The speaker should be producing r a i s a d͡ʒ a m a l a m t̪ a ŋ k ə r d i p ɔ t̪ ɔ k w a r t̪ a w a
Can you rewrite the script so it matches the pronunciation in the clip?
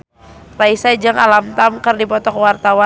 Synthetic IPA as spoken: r a i s a d͡ʒ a ŋ a l a m t̪ a m k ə r d i p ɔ t̪ ɔ k w a r t̪ a w a